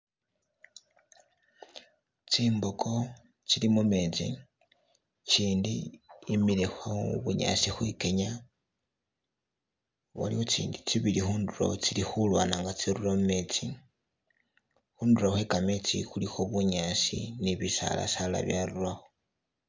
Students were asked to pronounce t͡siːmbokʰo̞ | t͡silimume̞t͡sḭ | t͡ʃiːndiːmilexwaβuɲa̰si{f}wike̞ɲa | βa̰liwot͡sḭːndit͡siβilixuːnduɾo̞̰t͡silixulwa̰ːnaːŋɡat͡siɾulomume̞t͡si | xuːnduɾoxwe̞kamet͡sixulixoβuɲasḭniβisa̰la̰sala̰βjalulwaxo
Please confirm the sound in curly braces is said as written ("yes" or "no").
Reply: no